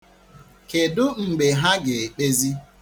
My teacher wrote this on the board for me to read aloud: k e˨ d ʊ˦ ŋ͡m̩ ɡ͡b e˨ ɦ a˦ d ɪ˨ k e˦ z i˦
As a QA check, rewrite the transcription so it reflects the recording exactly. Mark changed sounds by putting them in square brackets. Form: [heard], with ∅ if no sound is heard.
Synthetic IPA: k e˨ d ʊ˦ ŋ͡m̩ ɡ͡b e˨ ɦ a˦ [ɡ] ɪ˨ [k͡p] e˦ z i˦